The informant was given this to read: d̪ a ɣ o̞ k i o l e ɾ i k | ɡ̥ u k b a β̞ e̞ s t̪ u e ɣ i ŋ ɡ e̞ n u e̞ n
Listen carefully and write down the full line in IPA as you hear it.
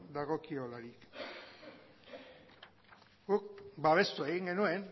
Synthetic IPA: d̪ a ɣ o̞ k i o l a ɾ i k | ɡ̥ u k b a β̞ e̞ s t̪ u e ɣ i ŋ ɡ e̞ n u e̞ n